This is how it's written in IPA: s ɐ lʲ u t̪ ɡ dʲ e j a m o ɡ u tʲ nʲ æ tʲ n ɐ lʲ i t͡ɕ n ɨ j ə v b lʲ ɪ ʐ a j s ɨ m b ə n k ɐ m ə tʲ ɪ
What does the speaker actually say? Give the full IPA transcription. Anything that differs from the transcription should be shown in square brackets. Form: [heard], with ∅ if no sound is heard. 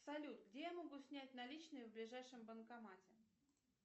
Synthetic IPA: s ɐ lʲ u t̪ ɡ dʲ e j a m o ɡ u [sʲ] nʲ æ tʲ n ɐ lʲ i t͡ɕ n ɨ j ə v b lʲ ɪ ʐ a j [ʂ] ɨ m b ə n k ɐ m [a] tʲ ɪ